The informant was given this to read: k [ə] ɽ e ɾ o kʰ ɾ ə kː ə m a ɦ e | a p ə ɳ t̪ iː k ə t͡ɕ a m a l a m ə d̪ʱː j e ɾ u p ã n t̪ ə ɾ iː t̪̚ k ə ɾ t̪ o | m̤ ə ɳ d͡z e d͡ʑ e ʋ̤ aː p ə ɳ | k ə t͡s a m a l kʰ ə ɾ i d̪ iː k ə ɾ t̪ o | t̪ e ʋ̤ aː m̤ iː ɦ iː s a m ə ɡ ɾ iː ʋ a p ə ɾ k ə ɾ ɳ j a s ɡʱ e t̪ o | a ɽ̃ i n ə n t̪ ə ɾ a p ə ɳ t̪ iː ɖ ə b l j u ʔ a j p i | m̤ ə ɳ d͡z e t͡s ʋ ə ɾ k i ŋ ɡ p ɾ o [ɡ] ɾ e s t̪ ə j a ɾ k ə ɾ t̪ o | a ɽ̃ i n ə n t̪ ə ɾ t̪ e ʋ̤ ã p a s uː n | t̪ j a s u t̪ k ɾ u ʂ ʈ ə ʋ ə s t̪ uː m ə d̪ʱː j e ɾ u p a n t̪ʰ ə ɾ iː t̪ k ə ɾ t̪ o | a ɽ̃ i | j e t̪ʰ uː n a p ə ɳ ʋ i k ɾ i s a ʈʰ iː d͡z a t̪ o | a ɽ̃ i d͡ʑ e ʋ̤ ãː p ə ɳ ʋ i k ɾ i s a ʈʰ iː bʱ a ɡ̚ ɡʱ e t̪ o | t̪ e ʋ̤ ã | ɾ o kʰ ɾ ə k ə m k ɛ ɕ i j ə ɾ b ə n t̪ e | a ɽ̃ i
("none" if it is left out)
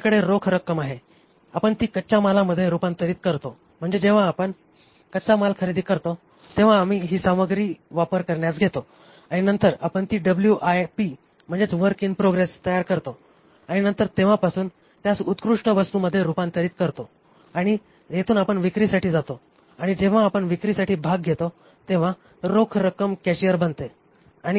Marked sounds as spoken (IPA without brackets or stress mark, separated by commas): ə, ɡ